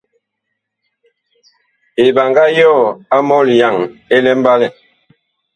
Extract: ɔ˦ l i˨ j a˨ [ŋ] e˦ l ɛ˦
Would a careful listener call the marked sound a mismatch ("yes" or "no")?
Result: no